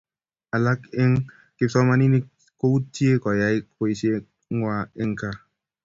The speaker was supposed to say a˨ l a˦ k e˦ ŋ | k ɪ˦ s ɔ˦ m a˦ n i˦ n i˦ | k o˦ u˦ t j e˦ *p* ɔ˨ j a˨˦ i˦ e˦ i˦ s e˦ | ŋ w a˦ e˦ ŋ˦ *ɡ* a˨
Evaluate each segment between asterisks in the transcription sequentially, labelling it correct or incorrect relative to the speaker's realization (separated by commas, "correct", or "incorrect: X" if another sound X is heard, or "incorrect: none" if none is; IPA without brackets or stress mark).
incorrect: k, incorrect: k